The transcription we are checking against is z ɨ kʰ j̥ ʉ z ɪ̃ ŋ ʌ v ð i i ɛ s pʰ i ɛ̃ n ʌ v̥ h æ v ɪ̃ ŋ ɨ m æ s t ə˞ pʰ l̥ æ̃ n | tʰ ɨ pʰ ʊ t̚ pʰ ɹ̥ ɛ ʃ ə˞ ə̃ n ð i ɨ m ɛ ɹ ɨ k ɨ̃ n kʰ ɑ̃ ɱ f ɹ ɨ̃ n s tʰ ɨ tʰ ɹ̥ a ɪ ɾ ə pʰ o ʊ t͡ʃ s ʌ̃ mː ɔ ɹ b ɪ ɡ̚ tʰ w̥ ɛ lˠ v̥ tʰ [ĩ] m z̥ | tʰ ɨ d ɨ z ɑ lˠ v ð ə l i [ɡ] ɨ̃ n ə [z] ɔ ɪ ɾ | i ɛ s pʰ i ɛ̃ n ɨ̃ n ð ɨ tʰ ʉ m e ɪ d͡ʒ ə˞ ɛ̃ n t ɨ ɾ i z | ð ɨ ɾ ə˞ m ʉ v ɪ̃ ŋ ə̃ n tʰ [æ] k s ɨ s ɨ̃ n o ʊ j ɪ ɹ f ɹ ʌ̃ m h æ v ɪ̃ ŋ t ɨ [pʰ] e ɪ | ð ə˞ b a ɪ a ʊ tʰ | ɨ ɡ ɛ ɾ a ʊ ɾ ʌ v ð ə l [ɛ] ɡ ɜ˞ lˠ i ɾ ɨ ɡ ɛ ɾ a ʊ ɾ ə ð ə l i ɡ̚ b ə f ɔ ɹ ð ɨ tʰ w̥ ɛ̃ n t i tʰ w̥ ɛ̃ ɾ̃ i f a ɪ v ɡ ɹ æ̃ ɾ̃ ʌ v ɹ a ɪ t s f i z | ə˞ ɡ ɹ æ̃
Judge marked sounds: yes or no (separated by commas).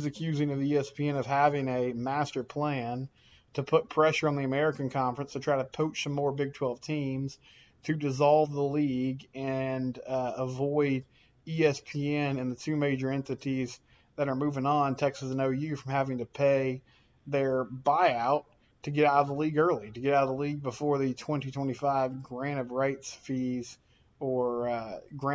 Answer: yes, yes, no, no, yes, no